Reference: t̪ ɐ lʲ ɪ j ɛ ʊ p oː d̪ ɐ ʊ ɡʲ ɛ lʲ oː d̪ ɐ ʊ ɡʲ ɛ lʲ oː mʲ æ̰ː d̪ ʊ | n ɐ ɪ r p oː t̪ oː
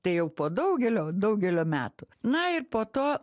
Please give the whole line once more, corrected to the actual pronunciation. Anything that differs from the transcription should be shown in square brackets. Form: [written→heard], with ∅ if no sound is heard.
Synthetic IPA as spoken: t̪ ɐ [lʲ→∅] ɪ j ɛ ʊ p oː d̪ ɐ ʊ ɡʲ ɛ lʲ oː d̪ ɐ ʊ ɡʲ ɛ lʲ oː mʲ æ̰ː [d̪→t̪] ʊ | n ɐ ɪ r p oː t̪ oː